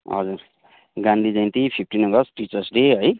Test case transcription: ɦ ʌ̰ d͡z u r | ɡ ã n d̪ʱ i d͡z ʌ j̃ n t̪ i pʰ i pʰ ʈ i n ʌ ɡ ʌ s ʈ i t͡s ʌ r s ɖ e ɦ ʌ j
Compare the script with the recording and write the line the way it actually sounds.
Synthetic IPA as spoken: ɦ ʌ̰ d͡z u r | ɡ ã n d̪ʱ i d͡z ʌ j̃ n t̪ i pʰ i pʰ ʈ i n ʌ ɡ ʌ s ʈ i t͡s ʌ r s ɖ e ɦ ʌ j